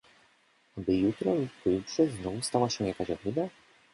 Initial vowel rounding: unrounded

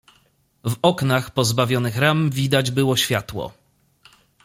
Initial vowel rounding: rounded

